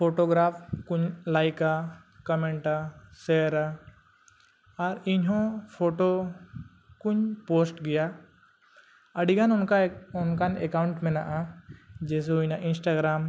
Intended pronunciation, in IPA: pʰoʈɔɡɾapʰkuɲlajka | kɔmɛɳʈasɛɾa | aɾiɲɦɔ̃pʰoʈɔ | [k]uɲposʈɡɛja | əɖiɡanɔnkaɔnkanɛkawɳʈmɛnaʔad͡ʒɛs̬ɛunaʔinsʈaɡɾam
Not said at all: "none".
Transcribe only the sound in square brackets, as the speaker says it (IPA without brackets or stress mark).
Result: k